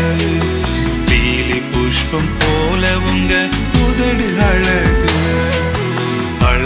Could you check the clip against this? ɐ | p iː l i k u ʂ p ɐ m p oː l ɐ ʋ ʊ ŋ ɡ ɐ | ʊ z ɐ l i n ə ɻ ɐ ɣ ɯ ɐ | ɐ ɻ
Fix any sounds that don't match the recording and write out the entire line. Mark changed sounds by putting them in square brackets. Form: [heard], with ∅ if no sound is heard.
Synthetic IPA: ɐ | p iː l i [p] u ʂ p ɐ m p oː l ɐ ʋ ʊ ŋ ɡ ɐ | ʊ [ð] ɐ [ɽ] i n [ɐ] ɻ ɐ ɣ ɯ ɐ | ɐ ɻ